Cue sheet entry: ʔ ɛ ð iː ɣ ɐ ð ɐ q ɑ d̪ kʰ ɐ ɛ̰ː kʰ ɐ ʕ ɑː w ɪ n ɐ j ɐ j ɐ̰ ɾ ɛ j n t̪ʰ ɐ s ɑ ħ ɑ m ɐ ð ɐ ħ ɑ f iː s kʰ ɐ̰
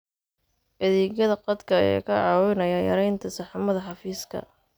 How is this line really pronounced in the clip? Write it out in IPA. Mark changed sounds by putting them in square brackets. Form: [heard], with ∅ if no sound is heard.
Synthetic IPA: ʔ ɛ ð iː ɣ ɐ ð ɐ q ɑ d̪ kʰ ɐ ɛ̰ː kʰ ɐ ʕ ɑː w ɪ n ɐ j ɐ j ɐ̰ ɾ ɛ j n t̪ʰ ɐ s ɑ ħ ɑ m ɐ ð ɐ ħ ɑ f iː s kʰ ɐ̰